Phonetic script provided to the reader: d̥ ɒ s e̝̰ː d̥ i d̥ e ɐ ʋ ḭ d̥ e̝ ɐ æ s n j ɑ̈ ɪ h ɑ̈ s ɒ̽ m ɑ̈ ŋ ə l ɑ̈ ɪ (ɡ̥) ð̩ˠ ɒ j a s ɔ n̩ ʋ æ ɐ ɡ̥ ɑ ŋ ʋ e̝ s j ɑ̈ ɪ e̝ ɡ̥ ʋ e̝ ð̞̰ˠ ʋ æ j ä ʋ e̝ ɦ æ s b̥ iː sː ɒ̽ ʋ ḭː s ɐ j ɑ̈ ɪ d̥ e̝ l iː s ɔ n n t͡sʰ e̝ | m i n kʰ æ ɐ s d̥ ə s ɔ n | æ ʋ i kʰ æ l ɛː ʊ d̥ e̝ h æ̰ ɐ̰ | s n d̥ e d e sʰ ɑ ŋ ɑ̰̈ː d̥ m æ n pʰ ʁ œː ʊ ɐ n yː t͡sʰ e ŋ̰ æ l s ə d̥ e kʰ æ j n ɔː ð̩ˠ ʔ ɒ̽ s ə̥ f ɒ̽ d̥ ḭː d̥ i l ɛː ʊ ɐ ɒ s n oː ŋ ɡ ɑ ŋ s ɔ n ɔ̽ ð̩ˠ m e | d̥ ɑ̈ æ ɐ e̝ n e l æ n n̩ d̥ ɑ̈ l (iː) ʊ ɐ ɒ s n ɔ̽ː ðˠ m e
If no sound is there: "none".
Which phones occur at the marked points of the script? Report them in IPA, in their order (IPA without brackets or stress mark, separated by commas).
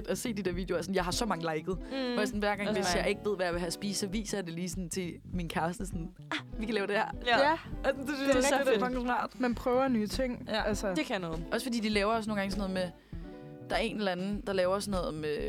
ɡ̥, ɛː